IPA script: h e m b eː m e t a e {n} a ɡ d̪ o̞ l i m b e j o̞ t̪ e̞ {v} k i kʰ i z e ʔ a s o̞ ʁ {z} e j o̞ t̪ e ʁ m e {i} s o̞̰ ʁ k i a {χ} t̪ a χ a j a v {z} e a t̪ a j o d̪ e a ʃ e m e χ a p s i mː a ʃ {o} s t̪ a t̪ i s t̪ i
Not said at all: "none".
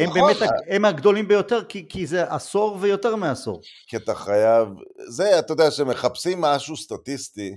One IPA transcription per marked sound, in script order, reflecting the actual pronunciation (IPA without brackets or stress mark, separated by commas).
m, ʁ, v, a, none, z, u